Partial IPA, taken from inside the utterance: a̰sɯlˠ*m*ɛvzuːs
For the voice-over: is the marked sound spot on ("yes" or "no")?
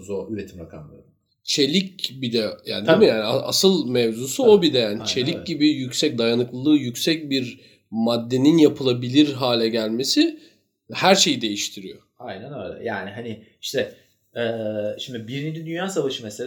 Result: yes